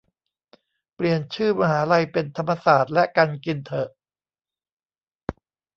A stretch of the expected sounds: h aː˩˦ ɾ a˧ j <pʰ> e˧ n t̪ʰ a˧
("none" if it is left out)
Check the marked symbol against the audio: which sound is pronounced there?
p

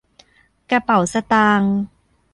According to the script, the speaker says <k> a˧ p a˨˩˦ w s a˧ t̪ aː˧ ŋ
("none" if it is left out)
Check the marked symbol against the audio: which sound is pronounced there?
k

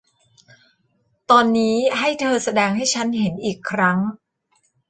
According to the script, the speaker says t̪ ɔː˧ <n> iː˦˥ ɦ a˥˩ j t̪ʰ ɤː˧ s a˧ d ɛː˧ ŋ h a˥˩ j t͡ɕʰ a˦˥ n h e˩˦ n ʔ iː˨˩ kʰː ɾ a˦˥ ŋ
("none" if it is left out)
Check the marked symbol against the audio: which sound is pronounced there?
nː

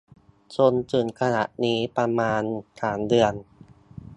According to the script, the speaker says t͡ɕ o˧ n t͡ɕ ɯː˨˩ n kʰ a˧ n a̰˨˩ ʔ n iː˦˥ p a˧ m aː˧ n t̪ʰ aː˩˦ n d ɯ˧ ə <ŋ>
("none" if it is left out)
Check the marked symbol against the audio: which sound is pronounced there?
n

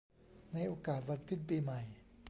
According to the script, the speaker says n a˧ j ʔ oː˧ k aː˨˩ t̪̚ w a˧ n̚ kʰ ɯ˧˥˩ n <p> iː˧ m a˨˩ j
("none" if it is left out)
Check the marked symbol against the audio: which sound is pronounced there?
p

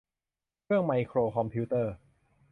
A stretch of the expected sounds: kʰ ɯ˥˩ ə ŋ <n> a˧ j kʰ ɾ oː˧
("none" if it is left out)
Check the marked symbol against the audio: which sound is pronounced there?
m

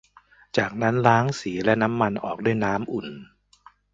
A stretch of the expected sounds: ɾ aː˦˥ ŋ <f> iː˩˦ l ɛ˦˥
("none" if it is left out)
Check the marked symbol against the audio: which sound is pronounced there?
s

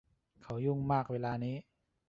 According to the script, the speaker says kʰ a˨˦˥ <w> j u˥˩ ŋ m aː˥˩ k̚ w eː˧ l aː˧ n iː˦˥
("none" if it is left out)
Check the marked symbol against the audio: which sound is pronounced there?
w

